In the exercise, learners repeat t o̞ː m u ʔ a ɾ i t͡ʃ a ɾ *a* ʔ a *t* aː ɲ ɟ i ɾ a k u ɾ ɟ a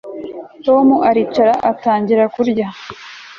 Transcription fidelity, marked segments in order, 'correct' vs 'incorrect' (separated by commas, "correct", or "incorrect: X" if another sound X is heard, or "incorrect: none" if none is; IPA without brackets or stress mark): correct, correct